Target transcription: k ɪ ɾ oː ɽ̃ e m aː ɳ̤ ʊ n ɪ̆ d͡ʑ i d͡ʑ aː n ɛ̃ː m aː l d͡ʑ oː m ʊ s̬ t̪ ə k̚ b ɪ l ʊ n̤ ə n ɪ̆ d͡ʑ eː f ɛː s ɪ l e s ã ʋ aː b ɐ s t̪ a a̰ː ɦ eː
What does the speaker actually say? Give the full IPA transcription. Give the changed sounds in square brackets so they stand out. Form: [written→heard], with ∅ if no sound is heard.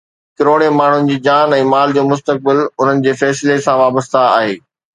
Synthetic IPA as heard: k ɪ ɾ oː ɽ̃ e m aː ɳ̤ ʊ n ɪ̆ d͡ʑ [i→iː] d͡ʑ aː n ɛ̃ː m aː l d͡ʑ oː m ʊ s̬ t̪ ə k̚ b ɪ l ʊ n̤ ə n ɪ̆ d͡ʑ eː f ɛː s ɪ l e s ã ʋ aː b [ɐ→ə] s t̪ a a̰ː ɦ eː